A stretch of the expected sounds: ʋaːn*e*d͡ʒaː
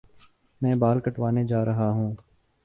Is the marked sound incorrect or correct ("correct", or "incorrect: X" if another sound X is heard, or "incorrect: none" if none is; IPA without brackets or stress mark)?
correct